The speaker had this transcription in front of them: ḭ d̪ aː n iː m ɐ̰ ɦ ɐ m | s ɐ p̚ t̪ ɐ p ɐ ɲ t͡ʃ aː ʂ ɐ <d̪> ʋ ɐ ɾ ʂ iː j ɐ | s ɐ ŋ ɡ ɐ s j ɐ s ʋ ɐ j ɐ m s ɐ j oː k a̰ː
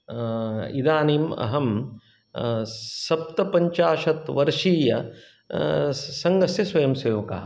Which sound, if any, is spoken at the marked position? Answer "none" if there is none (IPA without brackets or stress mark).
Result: t̪